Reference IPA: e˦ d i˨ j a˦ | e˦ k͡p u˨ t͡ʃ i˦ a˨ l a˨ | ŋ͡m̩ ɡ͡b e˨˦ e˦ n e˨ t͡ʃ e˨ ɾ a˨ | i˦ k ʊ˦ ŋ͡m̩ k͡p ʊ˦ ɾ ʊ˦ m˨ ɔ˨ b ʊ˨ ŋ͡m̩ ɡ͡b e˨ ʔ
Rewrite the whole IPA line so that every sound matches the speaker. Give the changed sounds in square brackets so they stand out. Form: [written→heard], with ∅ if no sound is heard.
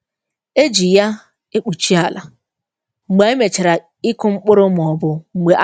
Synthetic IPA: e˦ [d→d͡ʒ] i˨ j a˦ | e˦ k͡p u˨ t͡ʃ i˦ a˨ l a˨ | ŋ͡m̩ ɡ͡b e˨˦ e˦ [n→m] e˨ t͡ʃ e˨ ɾ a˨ | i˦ k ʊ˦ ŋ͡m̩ k͡p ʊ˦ ɾ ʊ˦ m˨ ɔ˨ b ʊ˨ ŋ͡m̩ ɡ͡b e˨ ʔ